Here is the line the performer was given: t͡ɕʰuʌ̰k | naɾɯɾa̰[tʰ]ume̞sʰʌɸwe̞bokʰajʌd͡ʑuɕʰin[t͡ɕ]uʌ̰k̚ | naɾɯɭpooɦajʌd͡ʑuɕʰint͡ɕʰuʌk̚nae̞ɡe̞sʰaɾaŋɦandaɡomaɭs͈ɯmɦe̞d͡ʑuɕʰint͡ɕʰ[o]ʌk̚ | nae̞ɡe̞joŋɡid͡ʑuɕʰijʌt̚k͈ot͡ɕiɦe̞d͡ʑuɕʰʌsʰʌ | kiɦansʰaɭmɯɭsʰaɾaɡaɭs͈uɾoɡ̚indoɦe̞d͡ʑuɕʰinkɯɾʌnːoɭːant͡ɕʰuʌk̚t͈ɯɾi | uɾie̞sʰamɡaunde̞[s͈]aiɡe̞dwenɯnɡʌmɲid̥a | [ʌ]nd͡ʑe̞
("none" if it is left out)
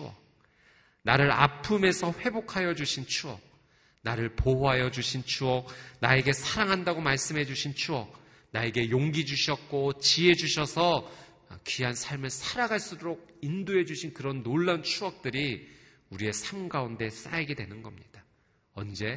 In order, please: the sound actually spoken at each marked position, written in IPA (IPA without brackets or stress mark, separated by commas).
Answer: pʰ, t͡ɕʰ, u, s͈, ʌ